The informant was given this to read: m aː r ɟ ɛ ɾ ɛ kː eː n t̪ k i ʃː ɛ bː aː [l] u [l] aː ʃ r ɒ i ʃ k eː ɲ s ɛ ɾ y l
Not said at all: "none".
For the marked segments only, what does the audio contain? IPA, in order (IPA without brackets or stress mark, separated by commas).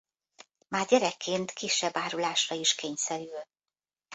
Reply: ɾ, l